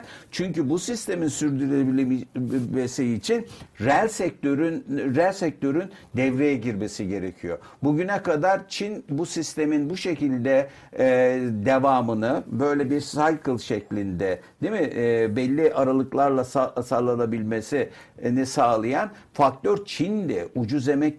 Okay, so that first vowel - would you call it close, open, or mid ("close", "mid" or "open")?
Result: close